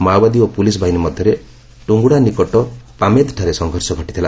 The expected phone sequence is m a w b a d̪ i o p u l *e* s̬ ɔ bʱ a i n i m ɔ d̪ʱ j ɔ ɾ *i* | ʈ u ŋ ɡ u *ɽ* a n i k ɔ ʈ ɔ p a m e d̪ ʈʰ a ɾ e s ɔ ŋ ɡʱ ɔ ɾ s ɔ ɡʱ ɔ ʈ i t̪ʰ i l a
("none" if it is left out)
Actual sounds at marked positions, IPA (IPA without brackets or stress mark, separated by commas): i, e, ɽ